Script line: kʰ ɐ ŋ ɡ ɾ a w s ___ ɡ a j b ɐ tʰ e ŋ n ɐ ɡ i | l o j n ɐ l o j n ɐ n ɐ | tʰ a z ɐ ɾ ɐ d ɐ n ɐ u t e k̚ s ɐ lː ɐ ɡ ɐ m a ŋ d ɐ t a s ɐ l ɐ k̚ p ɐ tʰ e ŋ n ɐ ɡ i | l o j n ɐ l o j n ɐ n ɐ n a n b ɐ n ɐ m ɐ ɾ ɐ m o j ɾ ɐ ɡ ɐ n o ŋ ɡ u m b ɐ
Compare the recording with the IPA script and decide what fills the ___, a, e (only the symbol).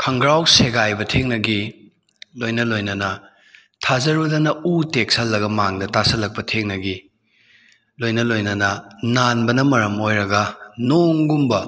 e